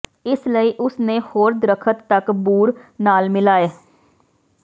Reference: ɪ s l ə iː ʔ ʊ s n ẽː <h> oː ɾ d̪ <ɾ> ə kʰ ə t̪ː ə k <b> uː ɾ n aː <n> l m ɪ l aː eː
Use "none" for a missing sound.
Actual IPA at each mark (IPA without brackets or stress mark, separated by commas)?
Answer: h, ɾ, b, none